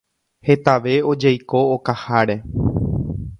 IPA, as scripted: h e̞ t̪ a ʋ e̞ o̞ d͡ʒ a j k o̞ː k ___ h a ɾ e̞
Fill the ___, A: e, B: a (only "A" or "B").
B